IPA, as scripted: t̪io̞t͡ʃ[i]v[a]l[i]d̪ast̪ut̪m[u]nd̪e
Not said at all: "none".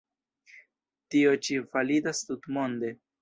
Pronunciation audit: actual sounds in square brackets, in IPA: i, a, i, o

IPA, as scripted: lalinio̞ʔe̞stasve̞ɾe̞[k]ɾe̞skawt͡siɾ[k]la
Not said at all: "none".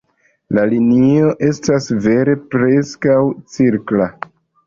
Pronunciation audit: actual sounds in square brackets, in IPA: p, k

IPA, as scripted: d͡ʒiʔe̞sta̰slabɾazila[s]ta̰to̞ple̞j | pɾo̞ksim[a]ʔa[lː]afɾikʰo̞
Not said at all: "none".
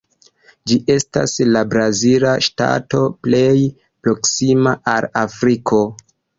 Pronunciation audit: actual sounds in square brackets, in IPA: ʃ, a, l

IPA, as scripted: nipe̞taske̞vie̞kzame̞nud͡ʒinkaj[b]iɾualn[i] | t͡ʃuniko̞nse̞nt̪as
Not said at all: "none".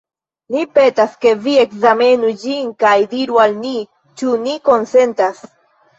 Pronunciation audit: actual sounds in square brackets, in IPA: d, i

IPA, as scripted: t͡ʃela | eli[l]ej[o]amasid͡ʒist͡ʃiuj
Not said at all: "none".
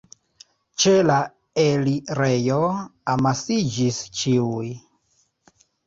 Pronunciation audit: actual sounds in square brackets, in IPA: ɾ, o

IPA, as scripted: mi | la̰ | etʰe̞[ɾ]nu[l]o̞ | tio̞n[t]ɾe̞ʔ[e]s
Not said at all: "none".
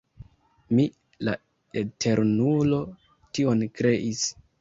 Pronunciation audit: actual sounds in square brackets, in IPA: ɾ, l, k, i

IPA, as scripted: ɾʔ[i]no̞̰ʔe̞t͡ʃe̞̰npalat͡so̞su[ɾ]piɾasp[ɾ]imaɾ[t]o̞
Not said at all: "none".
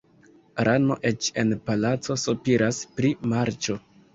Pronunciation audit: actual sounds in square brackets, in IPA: a, none, ɾ, t͡ʃ

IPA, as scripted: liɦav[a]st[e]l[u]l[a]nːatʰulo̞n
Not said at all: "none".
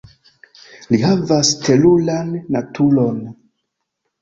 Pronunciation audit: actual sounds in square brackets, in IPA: a, e, u, a

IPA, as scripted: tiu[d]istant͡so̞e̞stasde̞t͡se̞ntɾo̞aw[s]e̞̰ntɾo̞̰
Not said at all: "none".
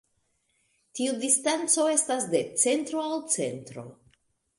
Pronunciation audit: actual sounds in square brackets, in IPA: d, t͡s

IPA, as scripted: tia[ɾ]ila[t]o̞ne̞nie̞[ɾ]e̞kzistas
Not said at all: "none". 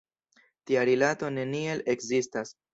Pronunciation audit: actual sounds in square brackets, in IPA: ɾ, t, l

